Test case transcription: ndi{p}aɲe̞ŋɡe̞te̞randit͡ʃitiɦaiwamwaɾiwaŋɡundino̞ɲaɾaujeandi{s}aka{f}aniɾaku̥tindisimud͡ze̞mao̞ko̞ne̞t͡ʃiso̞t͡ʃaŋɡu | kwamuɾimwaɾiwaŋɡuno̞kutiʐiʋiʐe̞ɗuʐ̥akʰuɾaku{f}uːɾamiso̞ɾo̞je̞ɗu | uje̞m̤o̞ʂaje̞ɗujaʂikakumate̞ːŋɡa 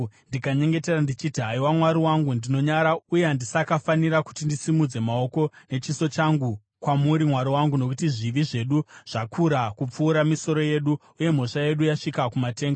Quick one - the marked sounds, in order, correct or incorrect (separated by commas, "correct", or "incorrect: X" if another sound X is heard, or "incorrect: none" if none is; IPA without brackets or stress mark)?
incorrect: k, correct, correct, incorrect: p͡f